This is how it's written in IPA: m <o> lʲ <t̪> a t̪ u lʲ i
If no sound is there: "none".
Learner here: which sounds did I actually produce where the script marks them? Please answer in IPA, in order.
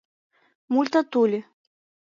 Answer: u, t̪

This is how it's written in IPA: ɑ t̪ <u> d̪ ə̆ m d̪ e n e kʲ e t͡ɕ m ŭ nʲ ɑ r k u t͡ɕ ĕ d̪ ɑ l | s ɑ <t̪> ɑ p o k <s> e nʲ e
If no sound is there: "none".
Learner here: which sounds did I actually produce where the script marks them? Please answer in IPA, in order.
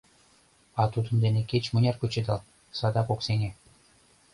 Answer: u, d̪, s

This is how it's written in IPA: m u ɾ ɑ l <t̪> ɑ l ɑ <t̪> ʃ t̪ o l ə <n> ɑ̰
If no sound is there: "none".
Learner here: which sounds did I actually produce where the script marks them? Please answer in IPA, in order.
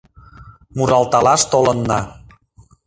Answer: t̪, none, nː

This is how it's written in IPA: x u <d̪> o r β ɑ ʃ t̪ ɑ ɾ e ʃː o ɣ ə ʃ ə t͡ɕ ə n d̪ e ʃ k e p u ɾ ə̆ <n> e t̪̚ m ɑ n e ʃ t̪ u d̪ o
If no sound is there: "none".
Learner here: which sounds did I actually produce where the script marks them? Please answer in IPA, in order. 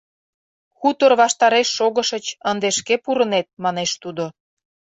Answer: t̪, n

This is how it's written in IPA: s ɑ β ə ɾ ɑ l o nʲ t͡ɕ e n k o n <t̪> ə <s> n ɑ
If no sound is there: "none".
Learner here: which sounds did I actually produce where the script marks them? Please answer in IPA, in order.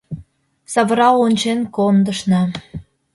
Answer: d̪, ʃ

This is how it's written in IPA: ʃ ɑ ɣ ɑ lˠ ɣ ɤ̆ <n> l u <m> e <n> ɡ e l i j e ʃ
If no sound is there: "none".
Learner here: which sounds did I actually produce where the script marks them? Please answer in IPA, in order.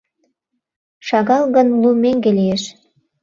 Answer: n, m, ŋ

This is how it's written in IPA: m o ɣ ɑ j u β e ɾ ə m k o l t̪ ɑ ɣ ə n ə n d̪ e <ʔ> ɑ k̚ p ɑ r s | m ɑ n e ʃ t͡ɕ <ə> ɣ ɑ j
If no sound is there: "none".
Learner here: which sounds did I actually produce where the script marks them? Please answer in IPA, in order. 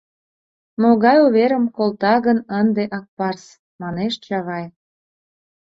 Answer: ʔ, ɑ

